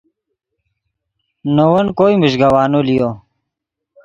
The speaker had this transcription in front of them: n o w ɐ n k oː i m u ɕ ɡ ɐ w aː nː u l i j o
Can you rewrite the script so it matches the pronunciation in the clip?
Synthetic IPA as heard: n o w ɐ n k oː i m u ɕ ɡ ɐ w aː n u l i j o